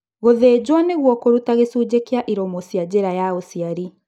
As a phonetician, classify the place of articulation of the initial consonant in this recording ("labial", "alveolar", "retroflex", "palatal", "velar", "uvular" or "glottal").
velar